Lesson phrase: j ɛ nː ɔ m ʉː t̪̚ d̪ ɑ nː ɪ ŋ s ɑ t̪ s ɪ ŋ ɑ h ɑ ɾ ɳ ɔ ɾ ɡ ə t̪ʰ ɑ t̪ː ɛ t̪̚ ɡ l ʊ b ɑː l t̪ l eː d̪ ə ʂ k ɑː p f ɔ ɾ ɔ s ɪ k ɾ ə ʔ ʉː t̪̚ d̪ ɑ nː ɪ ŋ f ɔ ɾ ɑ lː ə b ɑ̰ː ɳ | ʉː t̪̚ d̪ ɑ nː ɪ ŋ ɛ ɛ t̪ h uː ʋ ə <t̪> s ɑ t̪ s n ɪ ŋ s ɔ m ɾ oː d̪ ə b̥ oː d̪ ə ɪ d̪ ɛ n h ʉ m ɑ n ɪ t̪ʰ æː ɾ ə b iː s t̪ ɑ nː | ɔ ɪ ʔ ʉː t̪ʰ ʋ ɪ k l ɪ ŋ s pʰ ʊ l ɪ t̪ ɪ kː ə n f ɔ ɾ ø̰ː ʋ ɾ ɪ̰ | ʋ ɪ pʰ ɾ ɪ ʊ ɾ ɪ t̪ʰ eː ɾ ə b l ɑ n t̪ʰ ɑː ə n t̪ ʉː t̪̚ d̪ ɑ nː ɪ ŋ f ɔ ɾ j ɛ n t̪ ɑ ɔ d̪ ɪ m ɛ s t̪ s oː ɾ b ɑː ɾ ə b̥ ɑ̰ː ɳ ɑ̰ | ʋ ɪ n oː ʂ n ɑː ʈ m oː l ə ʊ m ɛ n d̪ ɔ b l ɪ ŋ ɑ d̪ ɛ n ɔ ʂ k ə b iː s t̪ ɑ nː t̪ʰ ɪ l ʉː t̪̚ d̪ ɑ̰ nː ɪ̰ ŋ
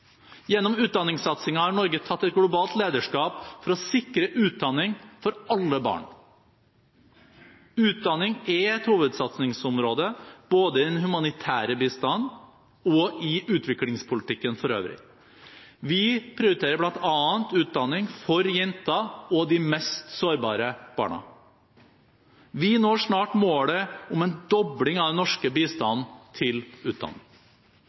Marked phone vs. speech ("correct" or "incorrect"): incorrect